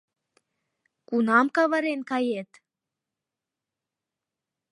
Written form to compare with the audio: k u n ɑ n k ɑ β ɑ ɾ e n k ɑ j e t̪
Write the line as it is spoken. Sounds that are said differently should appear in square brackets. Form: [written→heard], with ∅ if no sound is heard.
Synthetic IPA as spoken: k u n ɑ [n→m] k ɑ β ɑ ɾ e n k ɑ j e t̪

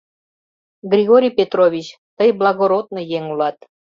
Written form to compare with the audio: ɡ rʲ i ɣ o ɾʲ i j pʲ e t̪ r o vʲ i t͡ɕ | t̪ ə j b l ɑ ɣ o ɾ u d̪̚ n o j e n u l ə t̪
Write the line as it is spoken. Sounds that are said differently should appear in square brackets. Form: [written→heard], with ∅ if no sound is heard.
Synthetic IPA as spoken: ɡ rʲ i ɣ o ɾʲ i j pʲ e t̪ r o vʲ i t͡ɕ | t̪ ə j b l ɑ ɣ o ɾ [u→o] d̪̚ n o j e [n→ŋ] u l [ə→ɑ] t̪

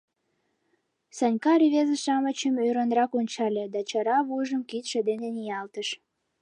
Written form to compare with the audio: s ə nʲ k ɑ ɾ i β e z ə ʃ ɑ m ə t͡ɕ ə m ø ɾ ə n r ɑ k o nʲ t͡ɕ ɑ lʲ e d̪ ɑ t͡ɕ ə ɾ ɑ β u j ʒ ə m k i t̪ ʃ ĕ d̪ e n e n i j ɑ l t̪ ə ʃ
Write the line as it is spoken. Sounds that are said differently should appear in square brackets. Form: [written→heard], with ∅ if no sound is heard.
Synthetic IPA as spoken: s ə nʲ k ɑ ɾ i β e z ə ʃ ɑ m ə t͡ɕ ə m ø ɾ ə n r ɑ k o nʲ t͡ɕ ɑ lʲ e d̪ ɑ t͡ɕ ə ɾ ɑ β u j ʒ ə m k i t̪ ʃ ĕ d̪ e n e n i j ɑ l t̪ ə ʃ

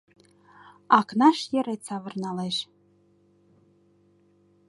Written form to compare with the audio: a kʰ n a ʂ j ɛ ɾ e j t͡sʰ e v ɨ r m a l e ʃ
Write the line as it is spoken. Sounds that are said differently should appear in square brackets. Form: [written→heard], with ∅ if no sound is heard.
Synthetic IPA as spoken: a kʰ n a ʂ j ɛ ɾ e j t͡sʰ [e→a] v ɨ r [m→n] a l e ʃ

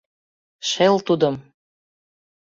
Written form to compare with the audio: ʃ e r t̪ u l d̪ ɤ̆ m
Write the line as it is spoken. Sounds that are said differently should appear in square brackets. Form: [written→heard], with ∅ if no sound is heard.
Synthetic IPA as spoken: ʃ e [r→l] t̪ u [l→∅] d̪ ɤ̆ m

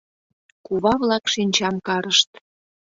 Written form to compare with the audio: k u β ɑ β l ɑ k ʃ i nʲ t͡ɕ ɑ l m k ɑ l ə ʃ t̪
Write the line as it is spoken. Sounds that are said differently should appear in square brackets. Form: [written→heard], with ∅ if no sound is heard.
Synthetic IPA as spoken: k u β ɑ β l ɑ k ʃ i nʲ t͡ɕ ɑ [l→∅] m k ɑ [l→ɾ] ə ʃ t̪

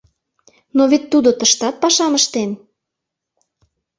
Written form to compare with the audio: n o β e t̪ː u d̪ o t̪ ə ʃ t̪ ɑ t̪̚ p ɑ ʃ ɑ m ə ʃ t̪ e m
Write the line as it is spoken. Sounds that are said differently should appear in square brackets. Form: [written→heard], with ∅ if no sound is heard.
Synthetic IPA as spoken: n o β e t̪ː u d̪ o t̪ ə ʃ t̪ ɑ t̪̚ p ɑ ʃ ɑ m ə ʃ t̪ e [m→n]

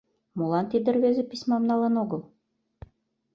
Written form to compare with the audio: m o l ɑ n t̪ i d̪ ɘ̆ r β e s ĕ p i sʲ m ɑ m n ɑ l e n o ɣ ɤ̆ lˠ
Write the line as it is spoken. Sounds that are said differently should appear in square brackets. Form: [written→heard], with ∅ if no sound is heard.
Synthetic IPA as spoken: m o l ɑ n t̪ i d̪ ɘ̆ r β e [s→z] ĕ p i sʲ m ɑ m n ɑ l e n o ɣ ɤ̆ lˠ

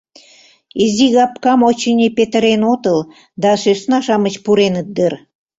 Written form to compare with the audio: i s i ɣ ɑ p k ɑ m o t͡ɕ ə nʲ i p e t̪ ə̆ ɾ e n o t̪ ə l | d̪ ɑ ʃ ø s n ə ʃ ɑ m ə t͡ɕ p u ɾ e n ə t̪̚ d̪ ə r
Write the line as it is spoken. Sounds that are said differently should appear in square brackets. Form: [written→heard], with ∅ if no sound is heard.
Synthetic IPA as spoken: i [s→z] i ɣ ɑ p k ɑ m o t͡ɕ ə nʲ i p e t̪ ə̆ ɾ e n o t̪ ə l | d̪ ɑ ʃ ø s n [ə→ɑ] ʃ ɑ m ə t͡ɕ p u ɾ e n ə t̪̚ d̪ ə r

